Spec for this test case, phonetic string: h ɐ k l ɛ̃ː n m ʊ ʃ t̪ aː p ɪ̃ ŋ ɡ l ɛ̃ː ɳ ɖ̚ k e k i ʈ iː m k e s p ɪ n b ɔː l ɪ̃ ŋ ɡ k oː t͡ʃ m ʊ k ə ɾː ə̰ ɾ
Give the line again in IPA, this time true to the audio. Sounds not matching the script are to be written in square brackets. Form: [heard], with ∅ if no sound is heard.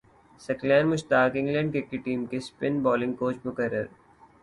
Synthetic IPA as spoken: [s] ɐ k l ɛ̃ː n m ʊ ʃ t̪ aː [k] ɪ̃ ŋ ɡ l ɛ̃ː ɳ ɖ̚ k e k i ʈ iː m k e s p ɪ n b ɔː l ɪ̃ ŋ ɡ k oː t͡ʃ m ʊ k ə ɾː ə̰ ɾ